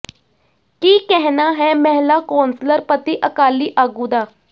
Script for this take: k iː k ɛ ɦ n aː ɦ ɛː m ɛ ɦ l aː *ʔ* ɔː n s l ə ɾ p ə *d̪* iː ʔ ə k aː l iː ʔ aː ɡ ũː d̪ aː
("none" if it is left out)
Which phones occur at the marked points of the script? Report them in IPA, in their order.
k, t̪

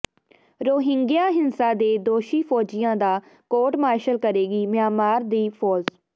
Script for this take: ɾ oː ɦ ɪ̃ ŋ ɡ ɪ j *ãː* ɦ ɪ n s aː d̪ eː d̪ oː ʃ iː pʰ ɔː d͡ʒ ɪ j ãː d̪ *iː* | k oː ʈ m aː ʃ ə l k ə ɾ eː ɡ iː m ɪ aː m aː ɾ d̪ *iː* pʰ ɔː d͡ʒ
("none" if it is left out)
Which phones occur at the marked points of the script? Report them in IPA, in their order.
aː, aː, iː

